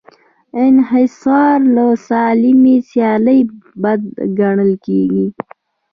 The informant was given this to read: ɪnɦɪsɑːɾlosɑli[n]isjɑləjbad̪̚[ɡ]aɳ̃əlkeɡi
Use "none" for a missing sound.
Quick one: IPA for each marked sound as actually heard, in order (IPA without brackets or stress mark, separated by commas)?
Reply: m, ɡ